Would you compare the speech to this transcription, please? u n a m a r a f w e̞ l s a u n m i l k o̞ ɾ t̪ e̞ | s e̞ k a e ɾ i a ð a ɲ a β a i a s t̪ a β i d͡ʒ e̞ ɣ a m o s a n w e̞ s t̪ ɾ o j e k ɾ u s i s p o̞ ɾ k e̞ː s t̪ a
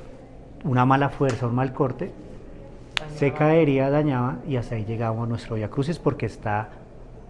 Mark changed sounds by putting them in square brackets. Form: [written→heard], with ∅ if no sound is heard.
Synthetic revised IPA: u n a m a [r→l] a f w e̞ [l→ɾ] s a u n m [i→a] l k o̞ ɾ t̪ e̞ | s e̞ k a e ɾ i a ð a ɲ a β a i a s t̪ a [β→∅] i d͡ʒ e̞ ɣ a m o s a n w e̞ s t̪ ɾ o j [e→a] k ɾ u s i s p o̞ ɾ k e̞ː s t̪ a